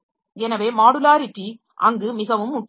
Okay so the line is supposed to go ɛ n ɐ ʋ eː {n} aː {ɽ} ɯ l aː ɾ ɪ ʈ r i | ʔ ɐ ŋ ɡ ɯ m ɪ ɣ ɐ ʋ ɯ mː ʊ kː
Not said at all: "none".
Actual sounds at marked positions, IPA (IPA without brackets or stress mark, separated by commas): m, ɽ